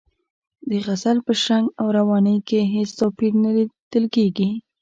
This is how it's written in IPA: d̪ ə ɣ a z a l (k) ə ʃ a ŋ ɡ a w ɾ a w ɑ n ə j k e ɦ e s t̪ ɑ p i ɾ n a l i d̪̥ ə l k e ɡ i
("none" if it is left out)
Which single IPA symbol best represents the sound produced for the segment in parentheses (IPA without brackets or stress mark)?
p